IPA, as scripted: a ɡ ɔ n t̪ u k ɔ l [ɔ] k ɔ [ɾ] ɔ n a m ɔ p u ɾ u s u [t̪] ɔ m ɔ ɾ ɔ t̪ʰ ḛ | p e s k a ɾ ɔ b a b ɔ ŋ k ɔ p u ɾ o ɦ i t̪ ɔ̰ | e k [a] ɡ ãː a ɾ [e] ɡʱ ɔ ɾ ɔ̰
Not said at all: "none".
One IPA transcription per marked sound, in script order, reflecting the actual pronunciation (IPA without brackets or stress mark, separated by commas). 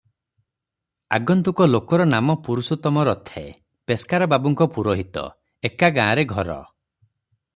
o, ɾ, t̪, a, e